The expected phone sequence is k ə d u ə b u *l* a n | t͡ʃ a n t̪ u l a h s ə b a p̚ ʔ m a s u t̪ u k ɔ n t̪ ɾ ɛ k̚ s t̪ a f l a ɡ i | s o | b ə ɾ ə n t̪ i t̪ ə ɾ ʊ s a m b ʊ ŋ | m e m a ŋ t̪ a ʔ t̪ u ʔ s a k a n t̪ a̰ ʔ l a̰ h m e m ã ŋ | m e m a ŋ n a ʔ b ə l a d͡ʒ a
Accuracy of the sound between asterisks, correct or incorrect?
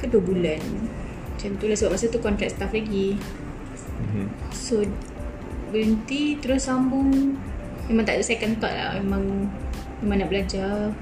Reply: correct